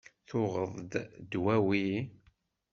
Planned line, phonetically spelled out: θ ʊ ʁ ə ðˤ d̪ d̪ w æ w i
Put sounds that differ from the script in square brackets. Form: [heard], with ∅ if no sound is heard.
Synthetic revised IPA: θ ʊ ʁ ə ðˤ d̪ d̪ w æ w i